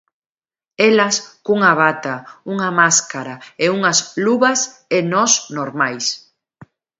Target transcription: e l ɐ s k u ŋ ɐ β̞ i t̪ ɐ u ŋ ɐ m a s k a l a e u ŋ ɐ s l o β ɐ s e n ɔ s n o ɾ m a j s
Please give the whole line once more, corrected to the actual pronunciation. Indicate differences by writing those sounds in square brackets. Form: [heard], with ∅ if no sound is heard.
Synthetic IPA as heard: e l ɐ s k u ŋ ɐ β̞ [a] t̪ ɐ u ŋ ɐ m a s k a [ɾ] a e u ŋ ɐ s l [u] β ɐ s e n ɔ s n o ɾ m a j s